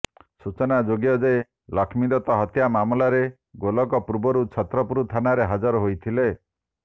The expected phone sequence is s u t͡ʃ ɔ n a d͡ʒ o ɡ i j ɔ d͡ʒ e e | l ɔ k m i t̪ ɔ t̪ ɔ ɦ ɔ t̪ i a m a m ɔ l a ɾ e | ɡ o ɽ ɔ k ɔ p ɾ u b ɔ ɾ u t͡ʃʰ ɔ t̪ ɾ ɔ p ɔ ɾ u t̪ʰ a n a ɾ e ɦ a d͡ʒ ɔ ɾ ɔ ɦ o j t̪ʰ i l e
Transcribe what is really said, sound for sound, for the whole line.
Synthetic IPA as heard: s u t͡ʃ ɔ n a d͡ʒ o ɡ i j ɔ d͡ʒ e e | l ɔ kʰ m i d̪ ɔ t̪ ɔ ɦ ɔ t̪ j a m a m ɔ l a ɾ e | ɡ o l ɔ k ɔ p ɾ u b ɔ ɾ u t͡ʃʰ ɔ t̪ ɾ ɔ p u ɾ u t̪ʰ a n a ɾ e ɦ a d͡ʒ ɔ ɾ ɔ ɦ o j t̪ʰ i l e